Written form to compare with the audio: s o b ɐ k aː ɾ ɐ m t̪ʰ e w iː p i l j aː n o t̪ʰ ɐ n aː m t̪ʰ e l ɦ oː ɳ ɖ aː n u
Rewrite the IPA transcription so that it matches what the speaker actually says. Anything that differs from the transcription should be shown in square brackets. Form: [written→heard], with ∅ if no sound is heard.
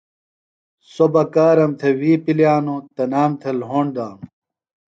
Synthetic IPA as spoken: s o b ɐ k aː ɾ ɐ m t̪ʰ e w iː p i l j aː n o [t̪ʰ→t̪] ɐ n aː m t̪ʰ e l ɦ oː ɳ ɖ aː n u